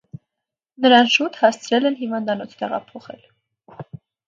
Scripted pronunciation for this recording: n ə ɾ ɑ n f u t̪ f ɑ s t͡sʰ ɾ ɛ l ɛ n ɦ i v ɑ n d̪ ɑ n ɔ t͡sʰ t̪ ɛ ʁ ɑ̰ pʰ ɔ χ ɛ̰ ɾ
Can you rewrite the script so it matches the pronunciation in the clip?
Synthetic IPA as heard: n ə ɾ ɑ n ʃ u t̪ h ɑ s t͡sʰ ɾ ɛ l ɛ n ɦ i v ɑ n d̪ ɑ n ɔ t͡sʰ t̪ ɛ ʁ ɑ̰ pʰ ɔ χ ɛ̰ l

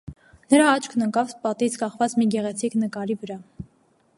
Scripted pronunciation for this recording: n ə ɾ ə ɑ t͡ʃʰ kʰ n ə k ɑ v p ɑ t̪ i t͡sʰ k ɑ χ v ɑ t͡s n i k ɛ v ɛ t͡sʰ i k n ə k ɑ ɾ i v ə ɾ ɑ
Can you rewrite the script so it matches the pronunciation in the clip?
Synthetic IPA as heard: n ə ɾ ɑ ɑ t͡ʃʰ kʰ n ə k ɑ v p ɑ t̪ i t͡sʰ k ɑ χ v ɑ t͡s m i ɡ ɛ ʁ ɛ t͡sʰ i k n ə k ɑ ɾ i v ə ɾ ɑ

